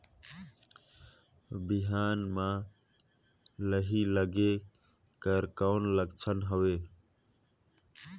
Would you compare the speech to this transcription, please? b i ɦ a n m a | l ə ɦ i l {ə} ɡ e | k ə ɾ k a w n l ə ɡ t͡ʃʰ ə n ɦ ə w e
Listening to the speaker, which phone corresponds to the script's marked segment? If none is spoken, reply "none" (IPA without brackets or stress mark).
ə